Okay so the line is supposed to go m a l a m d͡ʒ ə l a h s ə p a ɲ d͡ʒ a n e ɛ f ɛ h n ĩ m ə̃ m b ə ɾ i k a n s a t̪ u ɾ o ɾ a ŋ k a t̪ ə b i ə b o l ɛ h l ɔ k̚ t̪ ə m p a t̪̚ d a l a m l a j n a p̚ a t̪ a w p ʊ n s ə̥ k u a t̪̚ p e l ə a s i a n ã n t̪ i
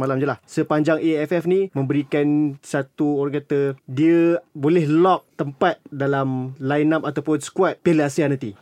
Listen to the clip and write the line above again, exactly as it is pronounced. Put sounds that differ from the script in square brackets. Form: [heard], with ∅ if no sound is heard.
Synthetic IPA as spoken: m a l a m d͡ʒ ə l a h s ə p a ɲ d͡ʒ a [ŋ] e ɛ f ɛ [f] n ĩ m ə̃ m b ə ɾ i k a n s a t̪ u [∅] o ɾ a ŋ k a t̪ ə [d] i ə b o l ɛ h l ɔ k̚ t̪ ə m p a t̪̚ d a l a m l a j n a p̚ a t̪ a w p ʊ n s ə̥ k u a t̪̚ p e l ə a s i a n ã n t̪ i